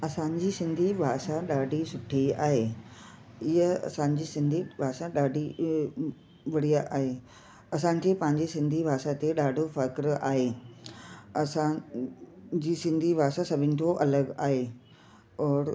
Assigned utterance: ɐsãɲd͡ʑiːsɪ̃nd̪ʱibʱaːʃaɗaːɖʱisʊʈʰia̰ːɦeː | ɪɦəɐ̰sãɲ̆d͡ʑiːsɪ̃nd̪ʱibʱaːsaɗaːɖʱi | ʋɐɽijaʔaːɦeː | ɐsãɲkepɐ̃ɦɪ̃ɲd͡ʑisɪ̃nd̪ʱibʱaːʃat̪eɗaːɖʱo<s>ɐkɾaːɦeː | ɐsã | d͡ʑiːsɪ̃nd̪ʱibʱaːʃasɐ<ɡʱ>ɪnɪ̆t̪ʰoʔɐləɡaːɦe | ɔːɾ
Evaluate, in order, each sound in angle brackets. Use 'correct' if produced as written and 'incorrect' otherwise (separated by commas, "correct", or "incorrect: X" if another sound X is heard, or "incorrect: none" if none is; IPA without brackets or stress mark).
incorrect: f, incorrect: bʱ